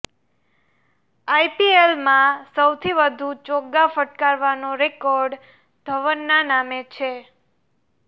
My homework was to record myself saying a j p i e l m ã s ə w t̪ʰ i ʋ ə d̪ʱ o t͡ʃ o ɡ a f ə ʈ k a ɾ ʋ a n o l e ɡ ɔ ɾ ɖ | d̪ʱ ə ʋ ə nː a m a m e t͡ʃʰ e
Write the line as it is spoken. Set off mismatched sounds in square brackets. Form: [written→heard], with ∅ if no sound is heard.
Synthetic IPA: a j p i e l m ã s ə w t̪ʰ i ʋ ə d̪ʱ [o→u] t͡ʃ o ɡ a f ə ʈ k a ɾ ʋ a n o [l→ɾ] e [ɡ→k] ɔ ɾ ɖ | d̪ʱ ə ʋ ə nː a [m→n] a m e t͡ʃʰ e

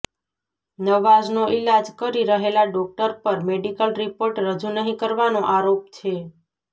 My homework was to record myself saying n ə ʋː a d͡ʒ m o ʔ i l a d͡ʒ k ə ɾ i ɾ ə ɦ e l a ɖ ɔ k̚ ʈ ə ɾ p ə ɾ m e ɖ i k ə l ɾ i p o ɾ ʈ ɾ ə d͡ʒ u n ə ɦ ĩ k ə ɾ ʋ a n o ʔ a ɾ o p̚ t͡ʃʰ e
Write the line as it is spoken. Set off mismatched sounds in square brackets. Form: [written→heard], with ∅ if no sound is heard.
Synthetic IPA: n ə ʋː a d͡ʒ [m→n] o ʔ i l a d͡ʒ k ə ɾ i ɾ ə ɦ e l a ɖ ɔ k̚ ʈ ə ɾ p ə ɾ m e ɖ i k ə l ɾ i p o ɾ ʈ ɾ ə d͡ʒ u n ə ɦ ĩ k ə ɾ ʋ a n o ʔ a ɾ o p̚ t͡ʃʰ e

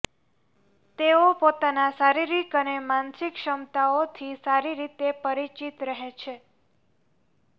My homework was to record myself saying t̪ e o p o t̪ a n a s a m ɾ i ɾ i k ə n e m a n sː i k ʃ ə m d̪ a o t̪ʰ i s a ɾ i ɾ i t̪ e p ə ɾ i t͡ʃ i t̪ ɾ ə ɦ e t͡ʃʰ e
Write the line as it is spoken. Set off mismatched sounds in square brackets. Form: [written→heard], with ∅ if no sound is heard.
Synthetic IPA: t̪ e o p o t̪ a n a s a [m→∅] ɾ i ɾ i k ə n e m a n [sː→s] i k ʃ ə m [d̪→t̪] a o t̪ʰ i s a ɾ i ɾ i t̪ e p ə ɾ i t͡ʃ i t̪ ɾ ə ɦ e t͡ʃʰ e

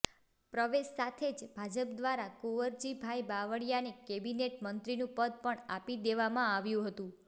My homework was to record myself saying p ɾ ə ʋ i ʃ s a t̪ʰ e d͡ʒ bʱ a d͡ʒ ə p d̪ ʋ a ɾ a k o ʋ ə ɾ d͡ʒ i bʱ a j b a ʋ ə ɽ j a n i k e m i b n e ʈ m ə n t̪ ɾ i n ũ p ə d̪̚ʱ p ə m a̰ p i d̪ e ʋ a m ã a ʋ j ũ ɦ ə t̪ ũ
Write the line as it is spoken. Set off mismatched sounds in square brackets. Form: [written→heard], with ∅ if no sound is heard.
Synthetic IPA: p ɾ ə ʋ [i→e] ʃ s a t̪ʰ e d͡ʒ bʱ a d͡ʒ ə p d̪ ʋ a ɾ a k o ʋ ə ɾ d͡ʒ i bʱ a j b a ʋ ə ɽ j a n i k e [m→b] i [b→∅] n e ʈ m ə n t̪ ɾ i n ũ p ə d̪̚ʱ p ə [m→ɳ] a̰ p i d̪ e ʋ a m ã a ʋ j ũ ɦ ə t̪ ũ

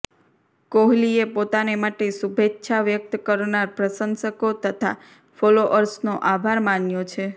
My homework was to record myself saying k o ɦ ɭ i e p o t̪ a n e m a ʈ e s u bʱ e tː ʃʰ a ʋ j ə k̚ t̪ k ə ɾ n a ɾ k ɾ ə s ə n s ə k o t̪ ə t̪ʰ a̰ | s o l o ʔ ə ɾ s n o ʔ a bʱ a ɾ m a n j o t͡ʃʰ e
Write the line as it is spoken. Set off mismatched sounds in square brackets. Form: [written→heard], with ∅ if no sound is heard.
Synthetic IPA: k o ɦ [ɭ→l] i e p o t̪ a n e m a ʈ e s u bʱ e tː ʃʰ a ʋ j ə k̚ t̪ k ə ɾ n a ɾ [k→p] ɾ ə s ə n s ə k o t̪ ə t̪ʰ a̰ | [s→f] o l o ʔ ə ɾ s n o ʔ a bʱ a ɾ m a n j o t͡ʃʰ e

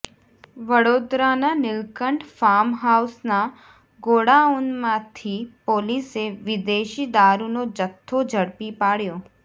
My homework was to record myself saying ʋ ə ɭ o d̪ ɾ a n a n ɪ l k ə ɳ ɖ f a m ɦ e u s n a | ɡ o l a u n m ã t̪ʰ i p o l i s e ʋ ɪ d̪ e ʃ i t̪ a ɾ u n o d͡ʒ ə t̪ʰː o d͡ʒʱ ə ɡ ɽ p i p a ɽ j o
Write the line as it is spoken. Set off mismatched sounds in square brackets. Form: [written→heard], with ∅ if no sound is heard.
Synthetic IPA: ʋ ə [ɭ→ɽ] o d̪ ɾ a n a n ɪ l k ə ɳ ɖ f a m ɦ [e→a] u s n a | ɡ o [l→ɽ] a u n m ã t̪ʰ i p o l i s e ʋ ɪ d̪ e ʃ i [t̪→d̪] a ɾ u n o d͡ʒ ə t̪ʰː o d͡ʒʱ ə [ɡ→∅] ɽ p i p a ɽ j o

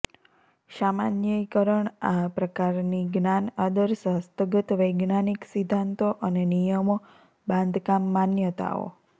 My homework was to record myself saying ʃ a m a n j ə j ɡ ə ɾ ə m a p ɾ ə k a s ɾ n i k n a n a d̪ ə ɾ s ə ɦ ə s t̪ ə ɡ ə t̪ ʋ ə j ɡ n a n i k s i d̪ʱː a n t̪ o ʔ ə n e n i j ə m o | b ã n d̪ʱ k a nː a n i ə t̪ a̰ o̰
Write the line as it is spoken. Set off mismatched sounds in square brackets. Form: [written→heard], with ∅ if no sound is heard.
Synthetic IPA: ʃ a m a n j ə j [ɡ→k] ə ɾ ə [m→ɳ] a p ɾ ə k a [s→∅] ɾ n i [k→ɡ] n a n a d̪ ə ɾ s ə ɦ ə s t̪ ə ɡ ə t̪ ʋ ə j ɡ n a n i k s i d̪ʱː a n t̪ o ʔ ə n e n i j ə m o | b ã n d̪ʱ k a [nː→mː] a n [i→j] ə t̪ a̰ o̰

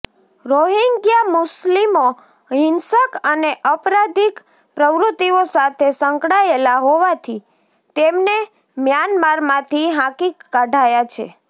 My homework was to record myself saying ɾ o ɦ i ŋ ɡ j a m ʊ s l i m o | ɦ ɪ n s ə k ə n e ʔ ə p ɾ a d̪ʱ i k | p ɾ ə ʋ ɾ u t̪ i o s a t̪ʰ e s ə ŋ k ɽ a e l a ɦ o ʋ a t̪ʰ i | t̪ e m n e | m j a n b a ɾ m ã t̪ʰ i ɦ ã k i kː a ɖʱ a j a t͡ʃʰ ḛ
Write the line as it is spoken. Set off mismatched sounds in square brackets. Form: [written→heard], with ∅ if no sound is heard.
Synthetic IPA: ɾ o ɦ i ŋ ɡ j a m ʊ s l i m o | ɦ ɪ n s ə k ə n e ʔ ə p ɾ a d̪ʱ i k | p ɾ ə ʋ ɾ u t̪ i o s a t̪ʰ e s ə ŋ k ɽ a e l a ɦ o ʋ a t̪ʰ i | t̪ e m n e | m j a n [b→m] a ɾ m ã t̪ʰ i ɦ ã k i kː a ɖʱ a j a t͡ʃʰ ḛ

